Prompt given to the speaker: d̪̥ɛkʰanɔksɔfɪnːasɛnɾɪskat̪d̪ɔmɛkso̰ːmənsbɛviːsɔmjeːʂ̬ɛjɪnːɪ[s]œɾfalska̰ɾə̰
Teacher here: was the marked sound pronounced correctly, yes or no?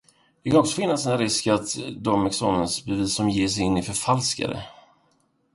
no